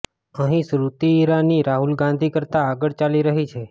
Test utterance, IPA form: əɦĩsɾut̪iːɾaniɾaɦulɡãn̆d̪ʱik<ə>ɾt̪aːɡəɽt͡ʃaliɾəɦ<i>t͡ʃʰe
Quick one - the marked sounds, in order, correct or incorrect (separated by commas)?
correct, correct